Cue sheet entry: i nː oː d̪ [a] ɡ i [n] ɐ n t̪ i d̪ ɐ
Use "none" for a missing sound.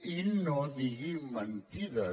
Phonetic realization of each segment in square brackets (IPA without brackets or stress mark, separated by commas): i, m